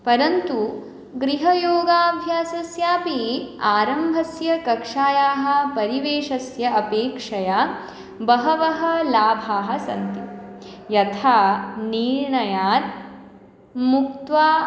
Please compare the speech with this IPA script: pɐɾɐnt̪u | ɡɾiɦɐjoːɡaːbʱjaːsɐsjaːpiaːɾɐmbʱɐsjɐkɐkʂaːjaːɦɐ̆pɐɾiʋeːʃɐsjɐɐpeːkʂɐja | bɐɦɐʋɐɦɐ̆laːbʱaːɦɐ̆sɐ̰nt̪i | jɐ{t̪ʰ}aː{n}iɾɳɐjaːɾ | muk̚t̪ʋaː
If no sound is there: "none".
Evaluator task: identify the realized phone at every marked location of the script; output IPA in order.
t̪ʰ, n

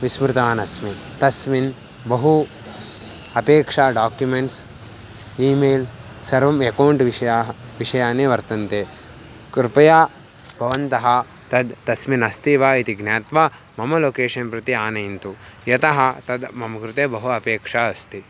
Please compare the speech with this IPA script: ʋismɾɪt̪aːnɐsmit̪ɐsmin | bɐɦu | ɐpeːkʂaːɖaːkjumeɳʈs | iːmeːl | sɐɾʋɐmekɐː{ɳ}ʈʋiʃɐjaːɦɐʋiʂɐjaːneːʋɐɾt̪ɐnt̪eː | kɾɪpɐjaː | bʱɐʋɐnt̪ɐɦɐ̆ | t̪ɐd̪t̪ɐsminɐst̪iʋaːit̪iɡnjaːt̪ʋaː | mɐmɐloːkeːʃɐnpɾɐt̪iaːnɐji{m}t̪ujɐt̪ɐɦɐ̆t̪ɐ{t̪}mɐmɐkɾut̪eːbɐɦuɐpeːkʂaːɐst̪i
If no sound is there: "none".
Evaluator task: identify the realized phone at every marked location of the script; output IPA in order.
ɳ, n, d̪

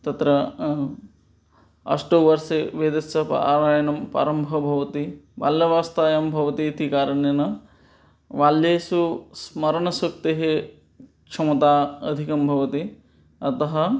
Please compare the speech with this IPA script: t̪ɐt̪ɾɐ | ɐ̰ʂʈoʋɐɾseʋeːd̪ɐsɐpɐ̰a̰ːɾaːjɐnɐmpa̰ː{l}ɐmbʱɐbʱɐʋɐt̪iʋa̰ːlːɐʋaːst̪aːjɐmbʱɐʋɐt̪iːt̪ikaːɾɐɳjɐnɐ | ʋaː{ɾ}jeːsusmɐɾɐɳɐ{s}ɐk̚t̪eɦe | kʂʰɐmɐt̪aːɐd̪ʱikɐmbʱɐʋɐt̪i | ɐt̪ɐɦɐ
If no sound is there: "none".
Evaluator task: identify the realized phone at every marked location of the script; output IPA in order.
ɾ, l, s

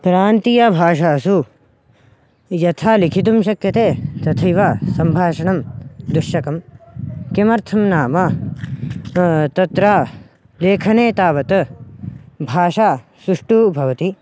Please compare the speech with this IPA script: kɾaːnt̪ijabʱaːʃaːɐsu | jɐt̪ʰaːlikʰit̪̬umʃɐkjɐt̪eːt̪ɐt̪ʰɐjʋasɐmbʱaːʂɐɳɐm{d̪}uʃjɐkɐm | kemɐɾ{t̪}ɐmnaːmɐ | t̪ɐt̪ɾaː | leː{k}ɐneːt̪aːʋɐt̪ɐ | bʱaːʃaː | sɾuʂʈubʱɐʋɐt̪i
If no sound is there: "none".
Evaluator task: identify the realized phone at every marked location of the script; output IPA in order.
d̪, t̪ʰ, kʰ

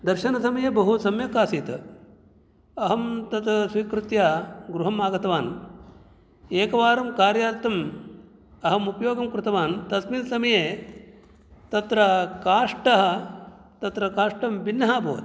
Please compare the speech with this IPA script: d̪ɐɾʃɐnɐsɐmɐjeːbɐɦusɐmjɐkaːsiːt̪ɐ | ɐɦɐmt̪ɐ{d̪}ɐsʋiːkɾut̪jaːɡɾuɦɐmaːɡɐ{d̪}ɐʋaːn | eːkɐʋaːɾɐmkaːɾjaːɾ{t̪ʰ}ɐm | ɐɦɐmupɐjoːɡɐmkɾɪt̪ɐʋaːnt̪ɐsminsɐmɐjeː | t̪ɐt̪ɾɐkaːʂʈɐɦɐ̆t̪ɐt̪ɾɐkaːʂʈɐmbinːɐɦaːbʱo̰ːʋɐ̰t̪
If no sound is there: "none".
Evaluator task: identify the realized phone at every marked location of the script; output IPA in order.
t̪, t̪, t̪

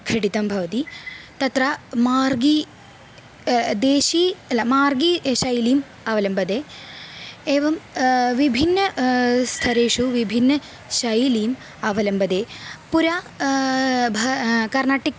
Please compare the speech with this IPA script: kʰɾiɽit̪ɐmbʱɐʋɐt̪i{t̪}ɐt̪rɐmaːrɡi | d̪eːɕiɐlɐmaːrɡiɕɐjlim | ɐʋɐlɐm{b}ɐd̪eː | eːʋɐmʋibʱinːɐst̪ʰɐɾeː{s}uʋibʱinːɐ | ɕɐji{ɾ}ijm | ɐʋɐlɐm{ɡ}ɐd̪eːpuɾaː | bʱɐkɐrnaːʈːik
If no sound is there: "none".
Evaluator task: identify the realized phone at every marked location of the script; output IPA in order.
t̪, b, ʂ, l, b

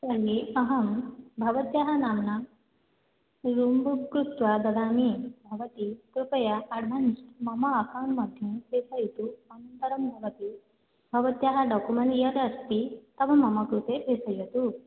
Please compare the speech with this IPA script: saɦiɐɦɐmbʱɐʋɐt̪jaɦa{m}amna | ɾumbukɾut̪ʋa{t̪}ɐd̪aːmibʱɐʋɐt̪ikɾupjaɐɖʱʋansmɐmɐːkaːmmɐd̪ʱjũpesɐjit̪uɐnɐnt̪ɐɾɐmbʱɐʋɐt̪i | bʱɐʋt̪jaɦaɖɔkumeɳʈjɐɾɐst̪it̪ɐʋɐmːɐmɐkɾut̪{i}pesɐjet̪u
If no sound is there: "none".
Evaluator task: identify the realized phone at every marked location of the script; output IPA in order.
n, d̪, e

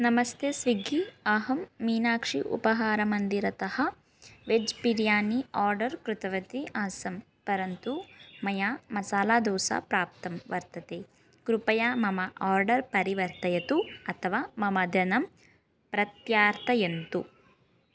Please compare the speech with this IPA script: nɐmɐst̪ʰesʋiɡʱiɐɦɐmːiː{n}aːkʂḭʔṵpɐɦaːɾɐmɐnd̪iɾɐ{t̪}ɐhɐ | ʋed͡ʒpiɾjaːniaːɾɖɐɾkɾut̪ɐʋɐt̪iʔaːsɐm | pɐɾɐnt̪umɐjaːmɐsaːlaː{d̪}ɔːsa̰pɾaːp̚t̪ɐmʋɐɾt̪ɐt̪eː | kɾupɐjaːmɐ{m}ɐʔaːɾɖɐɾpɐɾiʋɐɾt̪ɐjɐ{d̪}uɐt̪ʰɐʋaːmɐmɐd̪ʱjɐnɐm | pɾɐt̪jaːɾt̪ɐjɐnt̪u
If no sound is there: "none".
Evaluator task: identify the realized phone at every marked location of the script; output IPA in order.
n, t̪, d̪, m, t̪

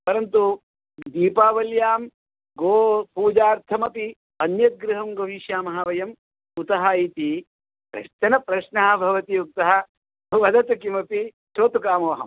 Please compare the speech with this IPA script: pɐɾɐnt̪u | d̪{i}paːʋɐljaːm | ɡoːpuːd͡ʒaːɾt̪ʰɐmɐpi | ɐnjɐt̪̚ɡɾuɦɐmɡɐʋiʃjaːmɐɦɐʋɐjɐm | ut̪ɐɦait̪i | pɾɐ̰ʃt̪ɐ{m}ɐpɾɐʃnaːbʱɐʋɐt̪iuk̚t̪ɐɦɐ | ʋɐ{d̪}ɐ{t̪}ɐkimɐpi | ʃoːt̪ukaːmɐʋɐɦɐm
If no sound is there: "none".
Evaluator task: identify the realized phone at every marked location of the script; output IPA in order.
iː, n, d̪, t̪

